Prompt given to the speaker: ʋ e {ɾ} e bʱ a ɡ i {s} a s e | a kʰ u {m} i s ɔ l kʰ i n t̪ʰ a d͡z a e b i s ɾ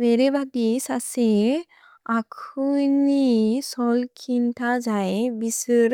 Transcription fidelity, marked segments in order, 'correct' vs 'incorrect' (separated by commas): correct, correct, incorrect